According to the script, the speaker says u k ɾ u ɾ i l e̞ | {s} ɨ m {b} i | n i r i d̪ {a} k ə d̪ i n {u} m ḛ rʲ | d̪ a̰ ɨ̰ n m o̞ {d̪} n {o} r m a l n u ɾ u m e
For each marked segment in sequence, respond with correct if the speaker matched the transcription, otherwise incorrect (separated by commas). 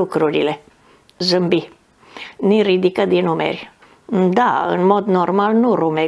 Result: incorrect, correct, incorrect, correct, correct, correct